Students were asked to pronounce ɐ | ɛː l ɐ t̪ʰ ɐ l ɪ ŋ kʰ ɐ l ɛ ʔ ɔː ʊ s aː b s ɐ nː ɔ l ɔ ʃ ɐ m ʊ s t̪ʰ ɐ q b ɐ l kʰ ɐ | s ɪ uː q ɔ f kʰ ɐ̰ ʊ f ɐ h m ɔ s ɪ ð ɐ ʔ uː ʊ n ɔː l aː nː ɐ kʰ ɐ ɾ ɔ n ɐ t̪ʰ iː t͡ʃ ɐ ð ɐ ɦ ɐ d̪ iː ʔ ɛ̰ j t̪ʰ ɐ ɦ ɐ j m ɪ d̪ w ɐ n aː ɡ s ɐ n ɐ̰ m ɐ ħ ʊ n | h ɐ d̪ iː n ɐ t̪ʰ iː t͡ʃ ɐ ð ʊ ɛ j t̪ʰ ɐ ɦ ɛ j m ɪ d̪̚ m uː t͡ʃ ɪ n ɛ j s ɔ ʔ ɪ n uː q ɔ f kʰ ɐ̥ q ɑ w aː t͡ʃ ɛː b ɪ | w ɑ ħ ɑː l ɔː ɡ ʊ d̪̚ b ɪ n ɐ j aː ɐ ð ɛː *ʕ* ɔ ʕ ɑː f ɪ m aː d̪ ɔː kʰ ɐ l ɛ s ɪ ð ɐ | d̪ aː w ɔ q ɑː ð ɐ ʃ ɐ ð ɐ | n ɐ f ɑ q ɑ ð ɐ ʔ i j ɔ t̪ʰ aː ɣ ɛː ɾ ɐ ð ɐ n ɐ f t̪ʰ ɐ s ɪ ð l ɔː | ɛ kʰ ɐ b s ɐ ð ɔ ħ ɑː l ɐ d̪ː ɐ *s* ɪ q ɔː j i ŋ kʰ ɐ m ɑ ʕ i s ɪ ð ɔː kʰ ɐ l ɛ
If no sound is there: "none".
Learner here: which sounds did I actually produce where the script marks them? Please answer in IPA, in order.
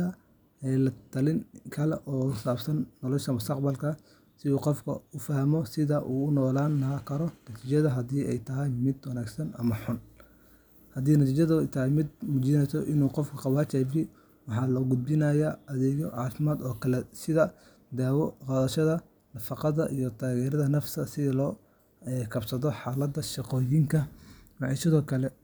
ɣ, ʃ

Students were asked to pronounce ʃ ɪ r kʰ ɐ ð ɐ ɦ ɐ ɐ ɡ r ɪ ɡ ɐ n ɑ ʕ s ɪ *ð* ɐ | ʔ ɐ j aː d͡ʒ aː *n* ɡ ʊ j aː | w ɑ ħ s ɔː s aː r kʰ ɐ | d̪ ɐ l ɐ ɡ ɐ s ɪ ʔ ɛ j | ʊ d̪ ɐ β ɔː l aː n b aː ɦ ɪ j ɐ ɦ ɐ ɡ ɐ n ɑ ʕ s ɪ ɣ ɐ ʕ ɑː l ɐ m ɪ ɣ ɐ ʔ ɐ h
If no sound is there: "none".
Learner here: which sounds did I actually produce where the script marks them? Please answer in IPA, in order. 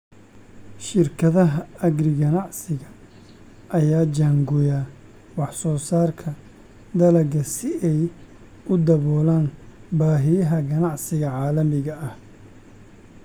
ɣ, ŋ

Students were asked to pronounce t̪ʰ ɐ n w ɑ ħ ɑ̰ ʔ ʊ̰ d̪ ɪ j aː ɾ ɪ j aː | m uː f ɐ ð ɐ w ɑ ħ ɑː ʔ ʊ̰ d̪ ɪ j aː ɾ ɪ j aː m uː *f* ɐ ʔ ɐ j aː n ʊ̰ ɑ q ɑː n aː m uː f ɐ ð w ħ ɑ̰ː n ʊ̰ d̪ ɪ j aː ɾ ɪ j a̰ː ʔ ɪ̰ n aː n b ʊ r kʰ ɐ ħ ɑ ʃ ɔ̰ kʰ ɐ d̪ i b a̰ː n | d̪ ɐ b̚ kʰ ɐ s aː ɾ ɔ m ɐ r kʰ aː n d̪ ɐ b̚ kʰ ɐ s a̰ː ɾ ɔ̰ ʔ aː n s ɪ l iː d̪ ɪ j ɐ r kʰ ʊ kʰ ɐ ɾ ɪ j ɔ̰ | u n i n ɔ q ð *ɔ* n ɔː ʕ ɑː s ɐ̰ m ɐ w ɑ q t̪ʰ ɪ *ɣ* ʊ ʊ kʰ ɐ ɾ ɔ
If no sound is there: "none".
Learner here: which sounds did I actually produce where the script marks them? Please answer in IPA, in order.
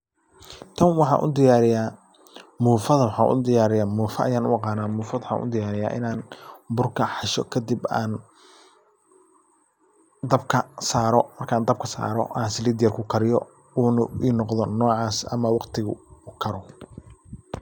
f, ɔ, ɣ

